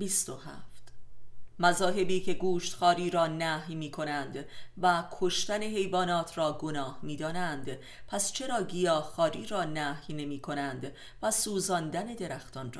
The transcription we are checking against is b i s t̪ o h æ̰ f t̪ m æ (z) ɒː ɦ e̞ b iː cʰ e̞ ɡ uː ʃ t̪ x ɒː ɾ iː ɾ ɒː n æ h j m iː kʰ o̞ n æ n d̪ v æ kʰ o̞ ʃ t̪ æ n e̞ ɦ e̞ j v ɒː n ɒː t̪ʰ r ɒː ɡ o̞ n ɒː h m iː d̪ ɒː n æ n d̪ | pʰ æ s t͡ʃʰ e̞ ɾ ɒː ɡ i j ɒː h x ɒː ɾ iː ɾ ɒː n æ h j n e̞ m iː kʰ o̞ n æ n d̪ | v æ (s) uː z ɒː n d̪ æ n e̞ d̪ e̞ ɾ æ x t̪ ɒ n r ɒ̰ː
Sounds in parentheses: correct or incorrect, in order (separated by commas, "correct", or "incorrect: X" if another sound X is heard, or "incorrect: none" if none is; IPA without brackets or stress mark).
correct, correct